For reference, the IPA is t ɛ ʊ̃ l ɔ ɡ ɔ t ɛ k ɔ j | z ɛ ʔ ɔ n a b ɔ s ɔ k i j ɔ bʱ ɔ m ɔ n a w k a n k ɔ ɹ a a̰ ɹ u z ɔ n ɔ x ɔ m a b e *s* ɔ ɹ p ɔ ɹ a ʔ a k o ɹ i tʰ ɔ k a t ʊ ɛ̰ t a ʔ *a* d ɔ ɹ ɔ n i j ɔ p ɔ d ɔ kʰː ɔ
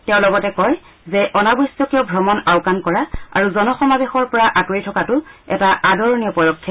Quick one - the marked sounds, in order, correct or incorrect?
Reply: incorrect: x, correct

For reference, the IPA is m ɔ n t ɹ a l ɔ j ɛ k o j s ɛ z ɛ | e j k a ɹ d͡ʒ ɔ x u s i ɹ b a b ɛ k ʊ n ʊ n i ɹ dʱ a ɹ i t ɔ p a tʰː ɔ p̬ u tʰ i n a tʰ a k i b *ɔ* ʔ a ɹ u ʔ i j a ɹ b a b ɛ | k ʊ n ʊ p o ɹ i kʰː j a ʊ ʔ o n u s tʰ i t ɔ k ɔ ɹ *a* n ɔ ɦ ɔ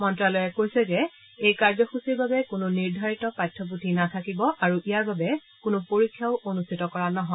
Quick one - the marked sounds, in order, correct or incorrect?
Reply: correct, correct

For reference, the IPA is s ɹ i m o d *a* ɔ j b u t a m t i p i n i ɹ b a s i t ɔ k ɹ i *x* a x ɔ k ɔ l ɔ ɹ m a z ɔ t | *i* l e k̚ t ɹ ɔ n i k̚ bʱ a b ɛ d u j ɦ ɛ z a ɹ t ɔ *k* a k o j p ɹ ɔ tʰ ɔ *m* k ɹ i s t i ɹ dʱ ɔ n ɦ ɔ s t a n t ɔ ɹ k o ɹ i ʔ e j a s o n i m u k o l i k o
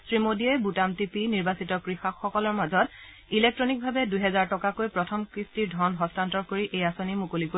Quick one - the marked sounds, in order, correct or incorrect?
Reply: incorrect: i, correct, correct, correct, correct

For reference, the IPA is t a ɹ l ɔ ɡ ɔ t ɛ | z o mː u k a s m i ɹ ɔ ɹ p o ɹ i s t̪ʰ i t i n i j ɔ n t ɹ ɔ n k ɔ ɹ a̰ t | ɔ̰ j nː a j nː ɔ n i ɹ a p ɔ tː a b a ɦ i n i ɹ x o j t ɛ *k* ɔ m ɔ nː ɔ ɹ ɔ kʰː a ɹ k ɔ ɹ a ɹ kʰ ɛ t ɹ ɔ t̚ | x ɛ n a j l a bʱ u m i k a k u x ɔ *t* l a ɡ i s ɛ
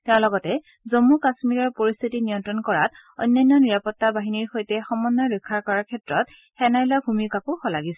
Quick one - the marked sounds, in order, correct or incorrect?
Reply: incorrect: x, incorrect: none

